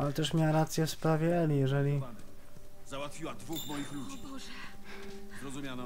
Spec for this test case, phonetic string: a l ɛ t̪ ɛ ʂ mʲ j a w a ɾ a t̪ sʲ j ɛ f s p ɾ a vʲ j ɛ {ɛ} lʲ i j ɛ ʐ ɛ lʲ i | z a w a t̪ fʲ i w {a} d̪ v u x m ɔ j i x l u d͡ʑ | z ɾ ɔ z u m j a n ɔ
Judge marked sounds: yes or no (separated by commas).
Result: yes, yes